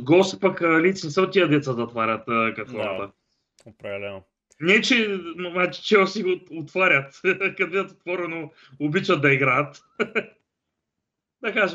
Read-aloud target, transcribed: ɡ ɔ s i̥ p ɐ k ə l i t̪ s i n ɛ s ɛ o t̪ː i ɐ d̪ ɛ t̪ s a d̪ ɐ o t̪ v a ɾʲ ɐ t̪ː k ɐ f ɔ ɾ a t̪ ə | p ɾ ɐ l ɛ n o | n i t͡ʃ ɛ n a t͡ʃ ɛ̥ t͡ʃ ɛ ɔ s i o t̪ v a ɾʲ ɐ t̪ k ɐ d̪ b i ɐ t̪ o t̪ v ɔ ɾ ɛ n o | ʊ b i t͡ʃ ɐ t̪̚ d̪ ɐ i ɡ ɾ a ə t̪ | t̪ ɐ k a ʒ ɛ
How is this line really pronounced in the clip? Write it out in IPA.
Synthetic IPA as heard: ɡ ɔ s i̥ p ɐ k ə l i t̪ s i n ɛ s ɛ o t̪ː i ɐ d̪ ɛ t̪ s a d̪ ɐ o t̪ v a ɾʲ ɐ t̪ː k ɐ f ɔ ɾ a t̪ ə | p ɾ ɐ l ɛ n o | n ɛ t͡ʃ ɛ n a t͡ʃ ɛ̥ t͡ʃ ɛ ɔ s i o t̪ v a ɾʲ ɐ t̪ k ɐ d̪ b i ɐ t̪ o t̪ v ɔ ɾ ɛ n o | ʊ b i t͡ʃ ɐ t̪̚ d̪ ɐ i ɡ ɾ a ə t̪ | d̪ ɐ k a ʒ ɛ